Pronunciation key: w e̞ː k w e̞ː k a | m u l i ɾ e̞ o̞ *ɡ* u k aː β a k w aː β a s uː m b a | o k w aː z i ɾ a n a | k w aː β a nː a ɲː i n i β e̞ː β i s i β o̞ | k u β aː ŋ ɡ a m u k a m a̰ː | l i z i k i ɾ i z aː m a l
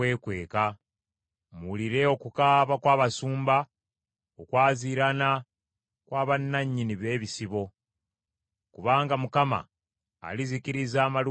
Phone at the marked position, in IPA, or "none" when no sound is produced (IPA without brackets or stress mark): k